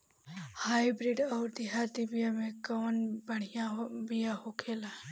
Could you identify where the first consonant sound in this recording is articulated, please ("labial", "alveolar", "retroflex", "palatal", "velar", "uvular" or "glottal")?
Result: glottal